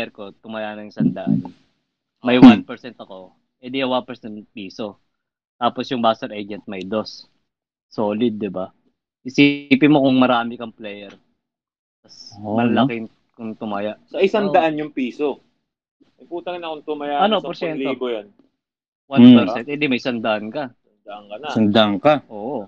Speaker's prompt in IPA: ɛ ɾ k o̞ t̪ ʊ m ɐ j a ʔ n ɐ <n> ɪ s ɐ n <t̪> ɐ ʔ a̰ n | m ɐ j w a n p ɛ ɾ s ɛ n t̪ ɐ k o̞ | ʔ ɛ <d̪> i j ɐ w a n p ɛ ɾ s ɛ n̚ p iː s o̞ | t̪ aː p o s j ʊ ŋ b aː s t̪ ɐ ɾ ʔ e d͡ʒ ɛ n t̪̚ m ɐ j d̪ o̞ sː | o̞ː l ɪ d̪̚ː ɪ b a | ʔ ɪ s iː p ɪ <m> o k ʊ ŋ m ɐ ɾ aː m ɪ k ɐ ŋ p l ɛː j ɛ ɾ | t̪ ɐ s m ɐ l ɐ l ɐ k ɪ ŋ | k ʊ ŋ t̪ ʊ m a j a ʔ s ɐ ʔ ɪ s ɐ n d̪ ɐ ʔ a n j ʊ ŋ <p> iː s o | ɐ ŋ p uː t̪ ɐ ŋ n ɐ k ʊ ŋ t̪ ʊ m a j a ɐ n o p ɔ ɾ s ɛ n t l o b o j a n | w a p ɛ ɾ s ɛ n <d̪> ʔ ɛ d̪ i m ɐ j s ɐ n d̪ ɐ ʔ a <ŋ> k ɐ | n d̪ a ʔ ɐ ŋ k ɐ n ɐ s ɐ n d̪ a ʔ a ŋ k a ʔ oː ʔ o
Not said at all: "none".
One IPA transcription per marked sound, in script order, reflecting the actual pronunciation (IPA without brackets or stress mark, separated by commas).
ŋ, d̪, d̪, m, p, t̪, n